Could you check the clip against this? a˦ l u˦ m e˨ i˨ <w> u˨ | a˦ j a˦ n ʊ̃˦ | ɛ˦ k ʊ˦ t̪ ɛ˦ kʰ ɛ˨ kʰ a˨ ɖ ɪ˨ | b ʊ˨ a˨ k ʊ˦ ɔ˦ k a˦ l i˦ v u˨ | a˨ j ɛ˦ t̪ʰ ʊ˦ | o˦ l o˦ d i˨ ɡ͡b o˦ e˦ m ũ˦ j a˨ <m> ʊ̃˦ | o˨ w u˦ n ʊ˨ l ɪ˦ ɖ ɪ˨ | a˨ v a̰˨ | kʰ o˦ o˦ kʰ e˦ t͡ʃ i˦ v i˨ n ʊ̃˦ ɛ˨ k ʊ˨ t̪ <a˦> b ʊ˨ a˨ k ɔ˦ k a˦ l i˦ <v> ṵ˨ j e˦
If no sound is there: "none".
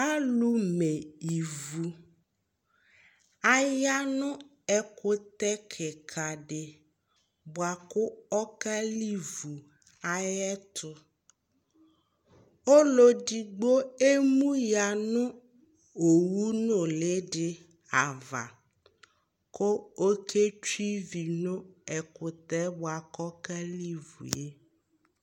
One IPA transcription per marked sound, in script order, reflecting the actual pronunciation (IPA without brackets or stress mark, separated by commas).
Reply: v, n, ɛ˦, v